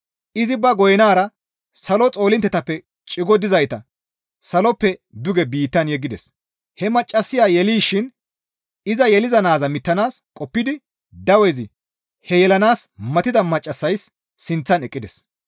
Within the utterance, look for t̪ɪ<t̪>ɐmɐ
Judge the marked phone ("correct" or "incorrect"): incorrect